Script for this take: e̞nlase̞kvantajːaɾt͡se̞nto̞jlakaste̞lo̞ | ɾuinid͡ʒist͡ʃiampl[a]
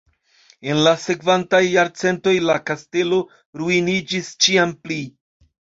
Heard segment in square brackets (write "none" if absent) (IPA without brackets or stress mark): i